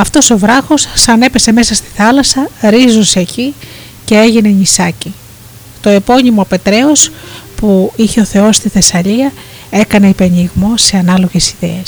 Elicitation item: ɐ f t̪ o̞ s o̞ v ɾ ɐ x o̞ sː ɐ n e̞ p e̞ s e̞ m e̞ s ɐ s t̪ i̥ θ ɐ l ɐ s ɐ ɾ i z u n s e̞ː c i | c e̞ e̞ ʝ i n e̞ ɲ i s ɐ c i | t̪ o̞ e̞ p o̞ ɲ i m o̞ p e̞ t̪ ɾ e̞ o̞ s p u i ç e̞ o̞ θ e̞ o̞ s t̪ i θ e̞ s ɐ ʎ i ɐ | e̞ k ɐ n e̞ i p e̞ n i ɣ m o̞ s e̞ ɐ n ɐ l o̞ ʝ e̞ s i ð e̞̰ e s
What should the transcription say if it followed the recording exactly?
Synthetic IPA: ɐ f t̪ o̞ s o̞ v ɾ ɐ x o̞ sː ɐ n e̞ p e̞ s e̞ m e̞ s ɐ s t̪ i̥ θ ɐ l ɐ s ɐ ɾ i z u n s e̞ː c i | c e̞ e̞ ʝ i n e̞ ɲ i s ɐ c i | t̪ o̞ e̞ p o̞ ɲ i m o̞ p e̞ t̪ ɾ e̞ o̞ s p u i ç e̞ o̞ θ e̞ o̞ s t̪ i θ e̞ s ɐ ʎ i ɐ | e̞ k ɐ n e̞ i p e̞ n i ɣ m o̞ s e̞ ɐ n ɐ l o̞ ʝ e̞ s i ð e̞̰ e s